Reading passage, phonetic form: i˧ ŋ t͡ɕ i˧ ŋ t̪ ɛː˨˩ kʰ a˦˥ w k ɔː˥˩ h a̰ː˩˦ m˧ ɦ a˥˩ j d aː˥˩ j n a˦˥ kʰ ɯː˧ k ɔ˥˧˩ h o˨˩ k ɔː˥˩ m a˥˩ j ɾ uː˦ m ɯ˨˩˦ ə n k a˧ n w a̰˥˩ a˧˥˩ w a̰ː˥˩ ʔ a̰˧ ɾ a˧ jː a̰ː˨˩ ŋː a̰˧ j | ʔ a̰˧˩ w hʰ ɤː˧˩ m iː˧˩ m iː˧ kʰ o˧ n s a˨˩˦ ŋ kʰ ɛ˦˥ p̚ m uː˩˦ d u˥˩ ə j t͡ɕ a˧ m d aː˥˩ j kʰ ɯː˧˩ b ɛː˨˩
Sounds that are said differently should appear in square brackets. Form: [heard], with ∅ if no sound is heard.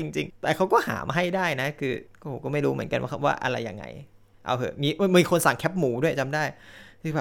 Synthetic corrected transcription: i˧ ŋ t͡ɕ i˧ ŋ t̪ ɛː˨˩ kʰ a˦˥ w k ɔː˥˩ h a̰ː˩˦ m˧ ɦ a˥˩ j d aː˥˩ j n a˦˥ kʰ ɯː˧ k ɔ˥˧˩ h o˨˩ k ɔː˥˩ m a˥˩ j ɾ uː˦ m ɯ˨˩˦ ə n k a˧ n w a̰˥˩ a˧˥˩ w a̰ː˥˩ ʔ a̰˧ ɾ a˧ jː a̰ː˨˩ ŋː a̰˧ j | ʔ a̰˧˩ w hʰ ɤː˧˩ m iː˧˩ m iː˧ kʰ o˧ n s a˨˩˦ ŋ kʰ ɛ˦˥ p̚ m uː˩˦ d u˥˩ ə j t͡ɕ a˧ m d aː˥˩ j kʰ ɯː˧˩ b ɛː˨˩